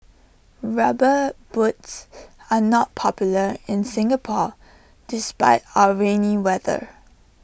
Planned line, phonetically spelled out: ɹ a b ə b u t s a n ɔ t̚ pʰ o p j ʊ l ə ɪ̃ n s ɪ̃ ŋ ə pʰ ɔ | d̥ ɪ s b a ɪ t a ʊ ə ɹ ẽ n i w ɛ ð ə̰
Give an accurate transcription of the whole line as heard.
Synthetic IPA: ɹ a b ə b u t s a n ɔ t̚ pʰ ɔ p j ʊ l ə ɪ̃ n s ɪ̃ ŋ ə pʰ ɔ | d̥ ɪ s p a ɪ t a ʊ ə ɹ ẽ n i w ɛ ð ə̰